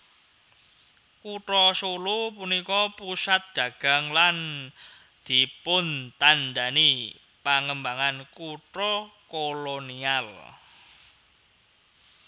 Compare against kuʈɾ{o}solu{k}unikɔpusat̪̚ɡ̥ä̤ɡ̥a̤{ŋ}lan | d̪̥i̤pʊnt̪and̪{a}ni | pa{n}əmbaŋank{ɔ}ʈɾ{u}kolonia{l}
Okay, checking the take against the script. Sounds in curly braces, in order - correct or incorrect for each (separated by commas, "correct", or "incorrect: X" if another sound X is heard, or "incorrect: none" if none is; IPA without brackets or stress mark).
incorrect: ɔ, incorrect: p, correct, correct, incorrect: ŋ, incorrect: u, incorrect: ɔ, correct